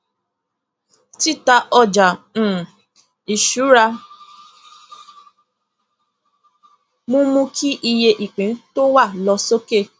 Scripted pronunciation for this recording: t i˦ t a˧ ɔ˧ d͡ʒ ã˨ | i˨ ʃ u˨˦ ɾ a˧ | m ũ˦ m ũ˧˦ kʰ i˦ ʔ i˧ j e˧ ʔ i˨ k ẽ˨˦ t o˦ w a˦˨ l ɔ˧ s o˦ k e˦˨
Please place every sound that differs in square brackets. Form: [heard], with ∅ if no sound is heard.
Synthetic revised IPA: t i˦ t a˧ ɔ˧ d͡ʒ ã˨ | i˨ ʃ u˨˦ ɾ a˧ | m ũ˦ m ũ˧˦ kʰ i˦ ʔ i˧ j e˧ ʔ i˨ [k͡p] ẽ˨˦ t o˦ w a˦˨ l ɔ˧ s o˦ k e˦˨